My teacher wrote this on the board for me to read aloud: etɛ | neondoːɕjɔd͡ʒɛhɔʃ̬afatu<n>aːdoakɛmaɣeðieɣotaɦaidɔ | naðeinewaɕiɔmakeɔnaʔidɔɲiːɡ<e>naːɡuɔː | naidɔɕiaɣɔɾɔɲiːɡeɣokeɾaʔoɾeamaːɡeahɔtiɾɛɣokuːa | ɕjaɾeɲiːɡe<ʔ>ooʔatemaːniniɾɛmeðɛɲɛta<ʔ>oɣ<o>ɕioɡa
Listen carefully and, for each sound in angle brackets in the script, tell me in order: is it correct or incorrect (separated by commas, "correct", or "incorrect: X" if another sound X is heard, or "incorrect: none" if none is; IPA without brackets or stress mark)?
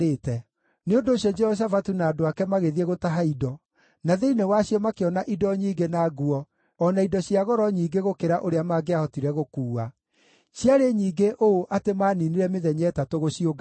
correct, correct, correct, incorrect: t, correct